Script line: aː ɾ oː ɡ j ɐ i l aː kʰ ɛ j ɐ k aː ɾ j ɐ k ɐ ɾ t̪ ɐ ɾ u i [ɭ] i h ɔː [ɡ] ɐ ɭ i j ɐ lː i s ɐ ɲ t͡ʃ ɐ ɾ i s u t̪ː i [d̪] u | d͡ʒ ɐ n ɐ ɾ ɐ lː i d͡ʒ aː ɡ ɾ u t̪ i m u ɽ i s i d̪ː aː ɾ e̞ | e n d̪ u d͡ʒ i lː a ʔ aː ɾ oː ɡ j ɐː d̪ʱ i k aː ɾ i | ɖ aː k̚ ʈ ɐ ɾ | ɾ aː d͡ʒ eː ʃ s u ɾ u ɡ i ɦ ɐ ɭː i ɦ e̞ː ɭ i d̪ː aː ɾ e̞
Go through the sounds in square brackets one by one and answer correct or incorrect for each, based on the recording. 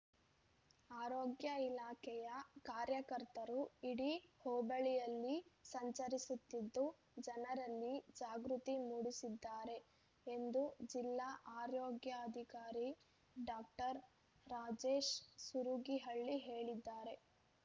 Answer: incorrect: ɽ, incorrect: b, incorrect: d̪ː

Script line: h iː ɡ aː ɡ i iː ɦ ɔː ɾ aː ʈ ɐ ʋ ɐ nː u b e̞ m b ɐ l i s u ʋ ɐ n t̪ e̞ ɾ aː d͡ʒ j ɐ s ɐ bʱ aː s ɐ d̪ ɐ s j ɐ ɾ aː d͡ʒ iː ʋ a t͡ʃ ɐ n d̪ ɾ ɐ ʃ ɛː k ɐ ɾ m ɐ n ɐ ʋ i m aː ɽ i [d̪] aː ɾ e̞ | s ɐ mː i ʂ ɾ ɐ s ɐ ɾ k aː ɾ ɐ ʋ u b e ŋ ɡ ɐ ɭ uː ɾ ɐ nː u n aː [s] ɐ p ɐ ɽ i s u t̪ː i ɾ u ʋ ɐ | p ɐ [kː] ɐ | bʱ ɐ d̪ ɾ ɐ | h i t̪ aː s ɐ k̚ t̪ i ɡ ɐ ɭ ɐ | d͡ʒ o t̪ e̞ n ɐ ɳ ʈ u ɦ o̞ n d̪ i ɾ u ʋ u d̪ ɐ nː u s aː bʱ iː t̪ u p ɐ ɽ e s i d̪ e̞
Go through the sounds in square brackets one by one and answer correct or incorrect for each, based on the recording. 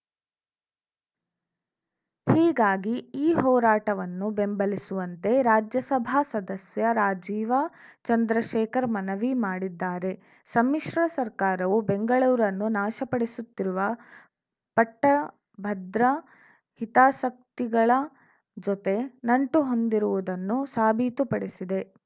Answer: incorrect: d̪ː, incorrect: ʃ, incorrect: ʈː

